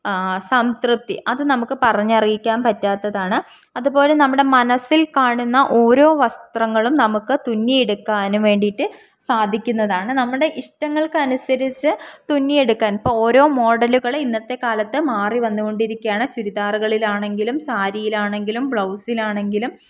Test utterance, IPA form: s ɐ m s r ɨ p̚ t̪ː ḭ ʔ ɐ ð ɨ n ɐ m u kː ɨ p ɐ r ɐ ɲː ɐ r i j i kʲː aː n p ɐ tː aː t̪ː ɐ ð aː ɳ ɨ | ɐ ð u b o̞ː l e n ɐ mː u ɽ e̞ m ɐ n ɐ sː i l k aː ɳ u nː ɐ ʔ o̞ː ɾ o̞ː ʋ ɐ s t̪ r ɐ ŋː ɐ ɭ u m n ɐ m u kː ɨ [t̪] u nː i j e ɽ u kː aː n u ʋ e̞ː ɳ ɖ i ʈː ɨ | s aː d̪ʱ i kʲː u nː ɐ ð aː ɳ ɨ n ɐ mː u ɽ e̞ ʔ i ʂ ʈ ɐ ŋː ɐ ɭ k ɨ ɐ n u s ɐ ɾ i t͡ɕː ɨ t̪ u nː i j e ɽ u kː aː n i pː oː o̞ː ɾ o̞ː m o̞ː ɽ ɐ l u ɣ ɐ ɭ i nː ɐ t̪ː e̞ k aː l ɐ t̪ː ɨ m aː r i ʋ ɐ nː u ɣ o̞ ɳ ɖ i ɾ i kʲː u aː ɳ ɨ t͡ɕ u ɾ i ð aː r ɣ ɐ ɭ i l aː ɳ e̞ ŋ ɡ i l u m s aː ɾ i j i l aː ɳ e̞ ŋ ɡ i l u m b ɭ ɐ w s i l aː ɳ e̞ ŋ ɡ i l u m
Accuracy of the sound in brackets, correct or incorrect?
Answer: correct